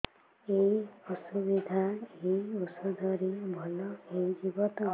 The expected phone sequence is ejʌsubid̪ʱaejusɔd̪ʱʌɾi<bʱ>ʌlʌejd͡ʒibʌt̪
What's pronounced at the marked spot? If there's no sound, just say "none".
bʱ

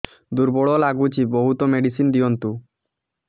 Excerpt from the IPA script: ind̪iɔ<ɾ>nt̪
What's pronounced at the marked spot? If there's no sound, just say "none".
none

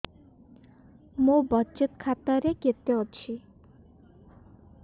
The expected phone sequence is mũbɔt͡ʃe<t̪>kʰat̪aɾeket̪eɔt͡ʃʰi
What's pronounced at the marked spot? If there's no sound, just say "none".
t̪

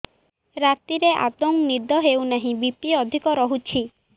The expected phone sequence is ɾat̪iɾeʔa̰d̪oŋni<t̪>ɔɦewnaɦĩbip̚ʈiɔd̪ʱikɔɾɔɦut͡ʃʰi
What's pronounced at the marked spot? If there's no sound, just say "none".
d̪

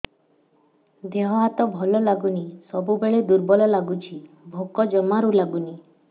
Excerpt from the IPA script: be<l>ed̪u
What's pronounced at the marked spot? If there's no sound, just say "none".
ɭ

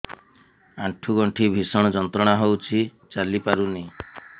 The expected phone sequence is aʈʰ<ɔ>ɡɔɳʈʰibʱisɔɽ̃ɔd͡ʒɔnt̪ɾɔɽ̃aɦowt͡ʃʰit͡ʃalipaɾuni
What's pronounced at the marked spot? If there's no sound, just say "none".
u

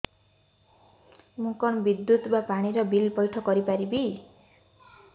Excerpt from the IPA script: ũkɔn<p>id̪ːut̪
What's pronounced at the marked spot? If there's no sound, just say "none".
b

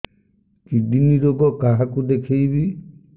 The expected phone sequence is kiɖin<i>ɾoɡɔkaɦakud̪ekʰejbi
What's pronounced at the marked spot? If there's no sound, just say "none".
i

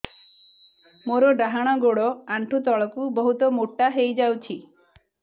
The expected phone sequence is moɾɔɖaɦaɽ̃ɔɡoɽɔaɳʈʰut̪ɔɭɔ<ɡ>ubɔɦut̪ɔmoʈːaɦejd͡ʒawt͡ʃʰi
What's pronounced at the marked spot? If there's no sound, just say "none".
k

